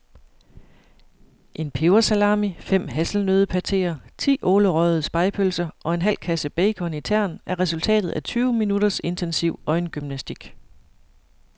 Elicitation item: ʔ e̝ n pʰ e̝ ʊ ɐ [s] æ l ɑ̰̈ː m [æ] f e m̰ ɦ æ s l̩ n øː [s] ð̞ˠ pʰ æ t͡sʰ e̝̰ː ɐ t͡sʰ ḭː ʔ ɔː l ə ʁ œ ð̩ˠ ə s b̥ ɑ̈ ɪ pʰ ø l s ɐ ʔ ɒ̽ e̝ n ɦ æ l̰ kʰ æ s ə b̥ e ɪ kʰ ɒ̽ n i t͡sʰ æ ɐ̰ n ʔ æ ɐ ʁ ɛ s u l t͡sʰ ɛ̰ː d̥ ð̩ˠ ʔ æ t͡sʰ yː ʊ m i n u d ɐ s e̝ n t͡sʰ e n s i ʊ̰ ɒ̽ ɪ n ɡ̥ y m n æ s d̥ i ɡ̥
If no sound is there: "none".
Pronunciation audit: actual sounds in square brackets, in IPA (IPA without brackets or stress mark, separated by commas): s, i, none